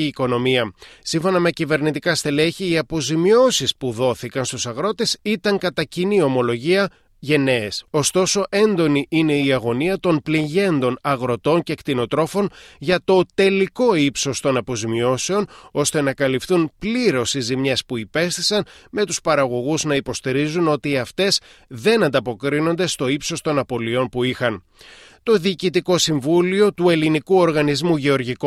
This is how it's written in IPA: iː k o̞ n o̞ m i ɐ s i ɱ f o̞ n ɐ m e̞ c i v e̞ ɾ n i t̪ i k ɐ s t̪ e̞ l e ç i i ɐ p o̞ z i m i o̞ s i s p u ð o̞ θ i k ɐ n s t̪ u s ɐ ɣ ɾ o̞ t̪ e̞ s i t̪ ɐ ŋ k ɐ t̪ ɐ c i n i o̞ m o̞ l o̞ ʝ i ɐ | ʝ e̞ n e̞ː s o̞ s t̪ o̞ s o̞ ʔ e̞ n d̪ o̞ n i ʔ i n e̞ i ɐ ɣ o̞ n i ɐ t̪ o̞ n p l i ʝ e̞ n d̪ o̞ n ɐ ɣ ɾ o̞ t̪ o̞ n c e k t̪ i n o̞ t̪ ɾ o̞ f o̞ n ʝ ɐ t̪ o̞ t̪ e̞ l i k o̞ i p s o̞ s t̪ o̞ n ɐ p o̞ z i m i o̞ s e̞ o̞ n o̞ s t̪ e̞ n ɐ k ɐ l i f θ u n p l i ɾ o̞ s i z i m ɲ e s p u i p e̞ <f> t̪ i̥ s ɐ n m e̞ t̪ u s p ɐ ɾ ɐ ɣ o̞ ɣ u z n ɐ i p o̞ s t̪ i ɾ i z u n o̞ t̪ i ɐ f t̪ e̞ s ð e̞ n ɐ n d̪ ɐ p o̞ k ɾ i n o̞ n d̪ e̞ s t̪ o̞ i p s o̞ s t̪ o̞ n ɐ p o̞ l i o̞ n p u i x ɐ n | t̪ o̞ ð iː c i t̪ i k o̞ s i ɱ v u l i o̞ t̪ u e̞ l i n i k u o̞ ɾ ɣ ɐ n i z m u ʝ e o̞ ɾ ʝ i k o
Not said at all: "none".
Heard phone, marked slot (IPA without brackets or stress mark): s